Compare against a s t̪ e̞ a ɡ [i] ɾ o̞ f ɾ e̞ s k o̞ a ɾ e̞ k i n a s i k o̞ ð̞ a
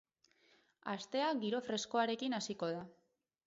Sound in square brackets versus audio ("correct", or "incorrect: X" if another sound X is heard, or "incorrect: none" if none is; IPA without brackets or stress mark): correct